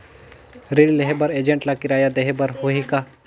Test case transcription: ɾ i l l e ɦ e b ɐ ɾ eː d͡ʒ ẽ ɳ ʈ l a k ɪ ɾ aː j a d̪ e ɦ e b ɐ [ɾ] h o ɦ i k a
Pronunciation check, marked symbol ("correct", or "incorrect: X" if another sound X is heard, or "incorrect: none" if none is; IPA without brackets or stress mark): correct